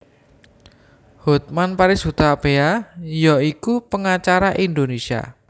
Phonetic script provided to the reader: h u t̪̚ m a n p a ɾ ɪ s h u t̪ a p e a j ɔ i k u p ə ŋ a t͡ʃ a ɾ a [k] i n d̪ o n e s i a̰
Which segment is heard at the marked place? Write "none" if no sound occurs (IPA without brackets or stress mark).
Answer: ʔ